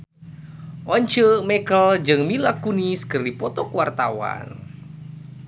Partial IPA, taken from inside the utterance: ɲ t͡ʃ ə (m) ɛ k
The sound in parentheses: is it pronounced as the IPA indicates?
yes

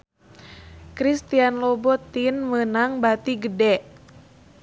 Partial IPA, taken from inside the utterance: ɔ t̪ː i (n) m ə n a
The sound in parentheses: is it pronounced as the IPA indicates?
yes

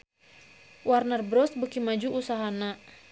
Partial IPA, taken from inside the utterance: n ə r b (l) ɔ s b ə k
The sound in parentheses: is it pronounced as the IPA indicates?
no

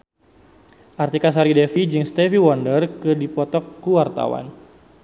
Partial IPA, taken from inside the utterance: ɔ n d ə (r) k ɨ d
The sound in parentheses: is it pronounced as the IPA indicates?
yes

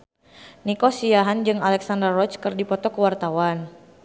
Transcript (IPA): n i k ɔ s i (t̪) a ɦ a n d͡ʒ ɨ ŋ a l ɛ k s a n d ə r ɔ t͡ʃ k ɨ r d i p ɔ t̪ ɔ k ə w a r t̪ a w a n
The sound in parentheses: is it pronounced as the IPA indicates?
no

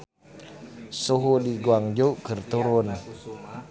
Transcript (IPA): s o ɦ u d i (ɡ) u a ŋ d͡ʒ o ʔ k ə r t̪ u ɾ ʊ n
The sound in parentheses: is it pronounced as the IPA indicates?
yes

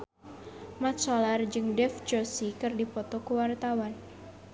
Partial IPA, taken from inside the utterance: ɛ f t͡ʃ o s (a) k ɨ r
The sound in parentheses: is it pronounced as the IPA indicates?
no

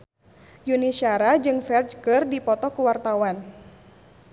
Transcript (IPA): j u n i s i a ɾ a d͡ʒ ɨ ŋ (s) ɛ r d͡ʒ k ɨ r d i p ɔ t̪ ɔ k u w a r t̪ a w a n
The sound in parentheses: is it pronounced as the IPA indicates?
no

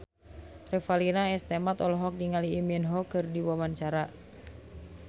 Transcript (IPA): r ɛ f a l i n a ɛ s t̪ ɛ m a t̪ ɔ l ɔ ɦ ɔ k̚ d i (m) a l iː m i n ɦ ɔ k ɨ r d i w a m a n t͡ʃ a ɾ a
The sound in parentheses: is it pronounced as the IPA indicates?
no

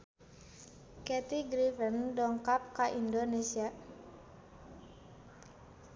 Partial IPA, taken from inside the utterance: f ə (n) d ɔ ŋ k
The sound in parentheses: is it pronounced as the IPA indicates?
yes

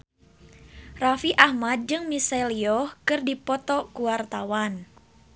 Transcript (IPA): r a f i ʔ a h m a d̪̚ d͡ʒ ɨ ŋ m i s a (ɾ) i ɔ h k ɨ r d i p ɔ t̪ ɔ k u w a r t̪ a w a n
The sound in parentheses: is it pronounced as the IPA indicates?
no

